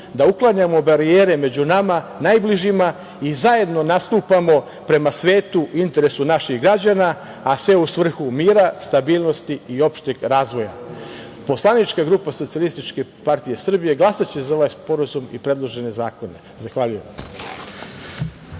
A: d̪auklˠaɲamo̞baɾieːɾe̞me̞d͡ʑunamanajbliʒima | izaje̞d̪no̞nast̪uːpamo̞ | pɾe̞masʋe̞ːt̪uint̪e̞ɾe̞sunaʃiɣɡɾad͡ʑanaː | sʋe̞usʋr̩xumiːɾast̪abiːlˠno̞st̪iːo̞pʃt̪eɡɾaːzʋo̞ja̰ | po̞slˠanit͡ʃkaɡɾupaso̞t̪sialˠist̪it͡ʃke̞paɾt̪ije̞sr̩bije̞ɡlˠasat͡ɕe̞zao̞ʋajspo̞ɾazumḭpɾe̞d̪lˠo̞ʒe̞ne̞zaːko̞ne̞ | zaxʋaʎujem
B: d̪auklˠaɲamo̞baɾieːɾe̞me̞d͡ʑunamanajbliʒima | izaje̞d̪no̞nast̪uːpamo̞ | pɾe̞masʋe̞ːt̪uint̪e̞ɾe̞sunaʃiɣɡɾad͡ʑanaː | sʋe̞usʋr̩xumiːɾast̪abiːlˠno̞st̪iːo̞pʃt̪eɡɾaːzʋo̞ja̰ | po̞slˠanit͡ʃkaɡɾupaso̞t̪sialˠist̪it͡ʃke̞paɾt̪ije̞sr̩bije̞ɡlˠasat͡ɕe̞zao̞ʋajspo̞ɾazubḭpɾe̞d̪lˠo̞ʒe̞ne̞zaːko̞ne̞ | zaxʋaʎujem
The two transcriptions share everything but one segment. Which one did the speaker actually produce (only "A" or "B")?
A